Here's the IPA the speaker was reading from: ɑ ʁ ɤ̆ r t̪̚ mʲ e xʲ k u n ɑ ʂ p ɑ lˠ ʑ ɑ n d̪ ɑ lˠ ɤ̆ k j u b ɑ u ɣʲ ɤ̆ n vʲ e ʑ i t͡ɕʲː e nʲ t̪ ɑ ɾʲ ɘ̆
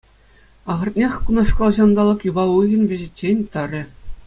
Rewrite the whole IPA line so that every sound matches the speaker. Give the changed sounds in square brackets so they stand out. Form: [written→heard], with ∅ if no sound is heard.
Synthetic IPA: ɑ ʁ ɤ̆ r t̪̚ [mʲ→nʲ] e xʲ k u n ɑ ʂ [p→k] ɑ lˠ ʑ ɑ n d̪ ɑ lˠ ɤ̆ k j u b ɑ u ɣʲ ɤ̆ n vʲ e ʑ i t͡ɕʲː e nʲ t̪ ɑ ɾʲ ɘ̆